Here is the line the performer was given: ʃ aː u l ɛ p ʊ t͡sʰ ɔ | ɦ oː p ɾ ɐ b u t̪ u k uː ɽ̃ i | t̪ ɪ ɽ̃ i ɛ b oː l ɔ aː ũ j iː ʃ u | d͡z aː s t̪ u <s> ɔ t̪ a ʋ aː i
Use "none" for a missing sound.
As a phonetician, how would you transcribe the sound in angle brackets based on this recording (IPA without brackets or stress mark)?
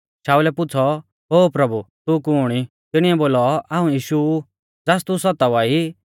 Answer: s